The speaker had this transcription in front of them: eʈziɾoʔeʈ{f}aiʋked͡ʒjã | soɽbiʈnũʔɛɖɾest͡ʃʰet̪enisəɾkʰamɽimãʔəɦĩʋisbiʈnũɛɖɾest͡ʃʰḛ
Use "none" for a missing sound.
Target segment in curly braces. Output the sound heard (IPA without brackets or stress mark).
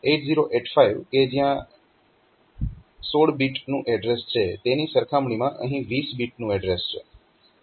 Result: f